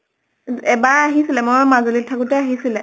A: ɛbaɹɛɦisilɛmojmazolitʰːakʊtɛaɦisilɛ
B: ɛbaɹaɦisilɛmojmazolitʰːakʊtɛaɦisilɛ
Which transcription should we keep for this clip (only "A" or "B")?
B